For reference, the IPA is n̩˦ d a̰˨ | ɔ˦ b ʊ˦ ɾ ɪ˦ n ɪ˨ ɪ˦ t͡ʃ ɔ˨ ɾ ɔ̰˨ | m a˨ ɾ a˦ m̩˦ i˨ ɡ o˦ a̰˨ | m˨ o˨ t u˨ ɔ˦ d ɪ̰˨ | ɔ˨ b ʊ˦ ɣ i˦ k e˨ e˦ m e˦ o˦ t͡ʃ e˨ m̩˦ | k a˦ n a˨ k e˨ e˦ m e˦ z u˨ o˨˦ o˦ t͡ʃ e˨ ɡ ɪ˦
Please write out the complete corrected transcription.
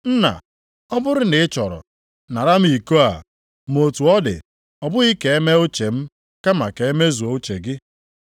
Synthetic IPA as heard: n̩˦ n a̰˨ | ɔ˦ b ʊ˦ ɾ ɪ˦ n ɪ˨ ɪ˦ t͡ʃ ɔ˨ ɾ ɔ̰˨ | n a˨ ɾ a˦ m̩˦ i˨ k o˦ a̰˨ | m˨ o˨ t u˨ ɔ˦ d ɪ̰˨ | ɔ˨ b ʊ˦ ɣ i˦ k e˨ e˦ m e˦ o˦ t͡ʃ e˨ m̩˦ | k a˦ m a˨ k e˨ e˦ m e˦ z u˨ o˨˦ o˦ t͡ʃ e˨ ɡ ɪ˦